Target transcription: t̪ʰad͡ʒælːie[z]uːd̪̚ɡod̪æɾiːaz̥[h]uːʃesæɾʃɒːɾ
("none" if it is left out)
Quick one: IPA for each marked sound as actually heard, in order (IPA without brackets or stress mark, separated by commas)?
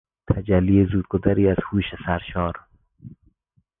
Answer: z, h